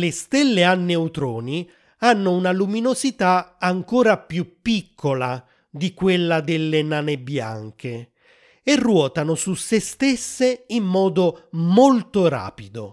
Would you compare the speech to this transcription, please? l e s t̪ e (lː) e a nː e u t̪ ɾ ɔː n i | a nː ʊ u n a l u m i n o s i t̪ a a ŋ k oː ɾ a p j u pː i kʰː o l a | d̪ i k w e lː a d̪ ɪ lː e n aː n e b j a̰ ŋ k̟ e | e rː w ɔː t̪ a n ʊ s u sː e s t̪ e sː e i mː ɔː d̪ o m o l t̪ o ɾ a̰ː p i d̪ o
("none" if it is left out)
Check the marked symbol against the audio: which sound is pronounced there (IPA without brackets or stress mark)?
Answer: lː